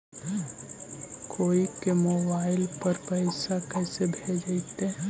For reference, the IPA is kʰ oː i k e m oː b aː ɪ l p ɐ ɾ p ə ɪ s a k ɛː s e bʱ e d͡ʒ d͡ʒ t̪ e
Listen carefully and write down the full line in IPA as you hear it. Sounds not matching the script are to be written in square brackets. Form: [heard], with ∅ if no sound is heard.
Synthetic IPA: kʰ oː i k e m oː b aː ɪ l p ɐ ɾ p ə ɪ s a k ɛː s e bʱ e d͡ʒ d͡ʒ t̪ e